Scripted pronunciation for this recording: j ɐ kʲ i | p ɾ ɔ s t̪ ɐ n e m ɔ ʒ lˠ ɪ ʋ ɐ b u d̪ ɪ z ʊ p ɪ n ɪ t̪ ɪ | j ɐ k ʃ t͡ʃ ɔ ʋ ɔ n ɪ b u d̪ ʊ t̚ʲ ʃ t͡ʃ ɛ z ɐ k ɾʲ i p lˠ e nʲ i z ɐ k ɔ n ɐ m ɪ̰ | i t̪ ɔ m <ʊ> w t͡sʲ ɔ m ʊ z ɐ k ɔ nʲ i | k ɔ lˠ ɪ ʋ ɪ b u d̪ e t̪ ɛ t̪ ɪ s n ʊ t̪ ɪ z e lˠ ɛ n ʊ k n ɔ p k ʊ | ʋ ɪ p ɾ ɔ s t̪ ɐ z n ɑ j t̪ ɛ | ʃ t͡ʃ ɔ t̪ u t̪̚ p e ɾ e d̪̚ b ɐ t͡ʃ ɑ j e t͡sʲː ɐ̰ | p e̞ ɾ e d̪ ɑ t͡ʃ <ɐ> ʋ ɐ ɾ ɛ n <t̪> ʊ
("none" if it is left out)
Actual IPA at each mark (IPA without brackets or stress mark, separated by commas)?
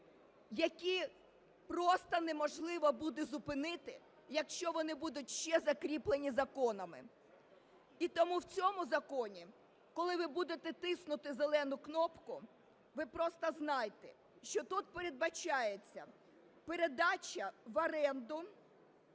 u, ɐ, d̪